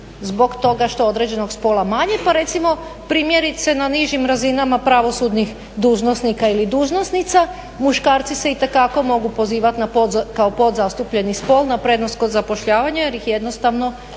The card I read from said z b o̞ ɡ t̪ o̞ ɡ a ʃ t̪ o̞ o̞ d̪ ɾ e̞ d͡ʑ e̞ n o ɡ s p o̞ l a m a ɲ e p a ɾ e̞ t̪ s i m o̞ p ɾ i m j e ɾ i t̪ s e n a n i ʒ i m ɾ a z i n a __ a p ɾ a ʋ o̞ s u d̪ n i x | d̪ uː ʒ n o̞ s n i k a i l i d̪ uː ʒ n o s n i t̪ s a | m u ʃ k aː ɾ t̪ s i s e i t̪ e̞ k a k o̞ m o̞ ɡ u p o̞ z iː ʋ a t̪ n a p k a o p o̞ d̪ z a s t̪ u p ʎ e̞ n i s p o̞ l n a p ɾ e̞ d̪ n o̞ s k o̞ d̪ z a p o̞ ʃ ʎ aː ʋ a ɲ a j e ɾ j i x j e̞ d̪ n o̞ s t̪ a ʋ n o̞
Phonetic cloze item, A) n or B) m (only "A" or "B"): B